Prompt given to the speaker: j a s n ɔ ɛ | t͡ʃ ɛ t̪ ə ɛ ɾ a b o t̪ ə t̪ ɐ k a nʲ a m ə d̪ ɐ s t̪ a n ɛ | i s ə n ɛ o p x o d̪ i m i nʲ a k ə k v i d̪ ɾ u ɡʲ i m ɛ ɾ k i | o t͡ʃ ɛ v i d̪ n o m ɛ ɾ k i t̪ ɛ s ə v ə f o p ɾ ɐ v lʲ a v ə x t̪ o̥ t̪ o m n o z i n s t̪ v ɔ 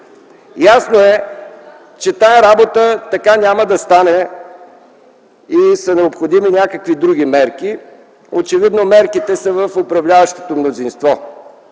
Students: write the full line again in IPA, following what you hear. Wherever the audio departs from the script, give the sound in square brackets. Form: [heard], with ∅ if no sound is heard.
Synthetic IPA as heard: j a s n [o] ɛ | t͡ʃ ɛ t̪ [a] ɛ ɾ a b o t̪ ə t̪ ɐ k a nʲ a m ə d̪ ɐ s t̪ a n ɛ | i s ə n ɛ o p x o d̪ i m i nʲ a k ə k v i d̪ ɾ u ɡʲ i m ɛ ɾ k i | o t͡ʃ ɛ v i d̪ n o m ɛ ɾ k i t̪ ɛ s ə v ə f o p ɾ ɐ v lʲ a v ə [ʃ] t̪ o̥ t̪ o m n o z i n s t̪ v ɔ